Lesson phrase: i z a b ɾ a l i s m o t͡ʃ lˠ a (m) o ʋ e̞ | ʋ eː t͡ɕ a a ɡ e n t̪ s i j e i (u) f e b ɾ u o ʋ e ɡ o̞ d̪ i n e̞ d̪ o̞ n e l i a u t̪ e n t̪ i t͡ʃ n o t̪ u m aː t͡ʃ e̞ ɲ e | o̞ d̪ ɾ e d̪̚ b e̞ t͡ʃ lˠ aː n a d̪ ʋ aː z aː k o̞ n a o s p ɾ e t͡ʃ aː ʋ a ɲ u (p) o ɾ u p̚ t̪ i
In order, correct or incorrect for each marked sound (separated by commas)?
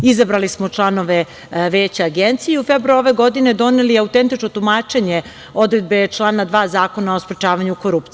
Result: incorrect, correct, incorrect